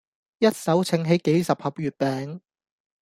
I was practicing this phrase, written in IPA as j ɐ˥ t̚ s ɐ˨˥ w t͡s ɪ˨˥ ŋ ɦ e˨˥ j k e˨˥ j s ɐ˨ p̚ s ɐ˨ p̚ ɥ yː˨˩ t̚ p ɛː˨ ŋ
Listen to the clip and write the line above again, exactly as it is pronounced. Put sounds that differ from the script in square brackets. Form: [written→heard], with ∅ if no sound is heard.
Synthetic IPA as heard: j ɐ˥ t̚ s ɐ˨˥ w [t͡s→t͡sʰ] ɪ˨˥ ŋ ɦ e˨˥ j k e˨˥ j s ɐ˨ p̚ [s→h] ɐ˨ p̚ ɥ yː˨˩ t̚ p ɛː˨ ŋ